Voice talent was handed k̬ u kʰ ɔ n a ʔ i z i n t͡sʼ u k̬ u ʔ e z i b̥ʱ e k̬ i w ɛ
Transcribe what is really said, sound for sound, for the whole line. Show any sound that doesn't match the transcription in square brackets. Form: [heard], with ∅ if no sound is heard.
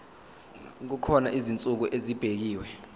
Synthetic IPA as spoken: k̬ u kʰ ɔ n a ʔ i z i n t͡sʼ u k̬ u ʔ e z i b̥ʱ e k̬ [iː] w ɛ